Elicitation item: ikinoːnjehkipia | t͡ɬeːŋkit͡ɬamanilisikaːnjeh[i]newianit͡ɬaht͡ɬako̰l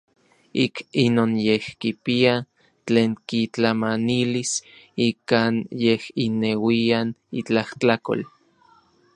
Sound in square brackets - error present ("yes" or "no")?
no